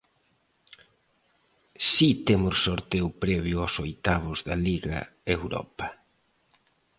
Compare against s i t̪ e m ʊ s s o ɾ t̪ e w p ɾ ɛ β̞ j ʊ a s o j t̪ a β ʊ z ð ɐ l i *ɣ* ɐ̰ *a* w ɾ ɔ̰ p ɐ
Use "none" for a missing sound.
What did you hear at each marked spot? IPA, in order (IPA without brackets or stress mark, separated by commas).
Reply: ɣ, e